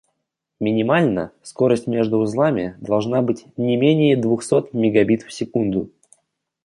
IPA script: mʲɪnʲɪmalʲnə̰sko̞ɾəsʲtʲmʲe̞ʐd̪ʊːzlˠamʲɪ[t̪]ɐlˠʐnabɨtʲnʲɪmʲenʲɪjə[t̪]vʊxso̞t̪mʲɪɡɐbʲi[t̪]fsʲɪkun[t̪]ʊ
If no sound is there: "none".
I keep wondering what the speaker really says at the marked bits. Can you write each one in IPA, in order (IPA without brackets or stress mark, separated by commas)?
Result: d̪, d̪, t̪, d̪